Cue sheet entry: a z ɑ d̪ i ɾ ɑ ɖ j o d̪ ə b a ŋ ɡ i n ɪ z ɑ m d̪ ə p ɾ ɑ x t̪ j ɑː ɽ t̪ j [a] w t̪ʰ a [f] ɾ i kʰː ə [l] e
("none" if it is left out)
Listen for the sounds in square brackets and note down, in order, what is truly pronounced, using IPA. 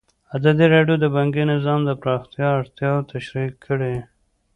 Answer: ɑ, ʃ, ɽ

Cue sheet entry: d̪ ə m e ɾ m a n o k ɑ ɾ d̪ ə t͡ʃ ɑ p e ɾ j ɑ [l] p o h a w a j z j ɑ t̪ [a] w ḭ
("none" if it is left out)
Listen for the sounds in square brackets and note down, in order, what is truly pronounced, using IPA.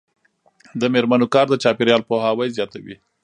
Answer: l, a

